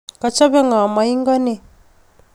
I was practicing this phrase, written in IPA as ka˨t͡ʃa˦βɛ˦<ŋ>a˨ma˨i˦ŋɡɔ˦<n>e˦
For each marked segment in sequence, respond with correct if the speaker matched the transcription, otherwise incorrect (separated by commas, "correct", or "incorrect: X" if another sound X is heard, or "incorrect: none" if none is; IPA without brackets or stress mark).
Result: correct, correct